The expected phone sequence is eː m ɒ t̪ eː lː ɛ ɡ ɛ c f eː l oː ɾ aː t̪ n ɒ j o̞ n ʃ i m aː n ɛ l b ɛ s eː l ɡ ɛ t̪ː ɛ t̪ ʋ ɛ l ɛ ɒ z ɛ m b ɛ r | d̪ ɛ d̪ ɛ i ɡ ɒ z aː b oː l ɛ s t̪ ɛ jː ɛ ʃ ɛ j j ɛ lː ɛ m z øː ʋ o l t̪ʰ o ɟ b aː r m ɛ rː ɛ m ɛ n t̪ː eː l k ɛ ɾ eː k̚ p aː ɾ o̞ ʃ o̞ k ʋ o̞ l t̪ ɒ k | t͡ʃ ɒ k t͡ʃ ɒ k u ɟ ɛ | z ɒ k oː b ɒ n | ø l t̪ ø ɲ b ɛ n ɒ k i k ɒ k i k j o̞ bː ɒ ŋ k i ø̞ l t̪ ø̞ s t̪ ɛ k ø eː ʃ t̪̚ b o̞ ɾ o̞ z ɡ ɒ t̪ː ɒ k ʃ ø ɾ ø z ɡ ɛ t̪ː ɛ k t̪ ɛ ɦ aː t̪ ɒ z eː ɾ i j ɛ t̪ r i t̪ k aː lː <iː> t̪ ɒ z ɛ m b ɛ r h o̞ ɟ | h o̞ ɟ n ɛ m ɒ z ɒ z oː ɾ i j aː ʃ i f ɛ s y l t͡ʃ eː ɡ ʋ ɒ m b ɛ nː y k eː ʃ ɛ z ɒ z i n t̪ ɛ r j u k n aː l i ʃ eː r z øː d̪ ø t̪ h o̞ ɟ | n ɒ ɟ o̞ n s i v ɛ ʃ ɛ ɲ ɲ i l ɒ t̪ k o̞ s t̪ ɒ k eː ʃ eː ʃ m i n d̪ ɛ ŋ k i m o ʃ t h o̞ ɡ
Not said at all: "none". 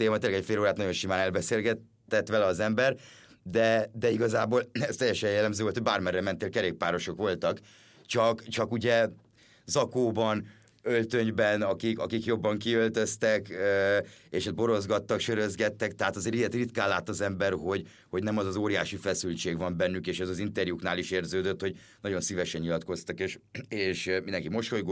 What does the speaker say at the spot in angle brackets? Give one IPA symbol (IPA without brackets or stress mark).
aː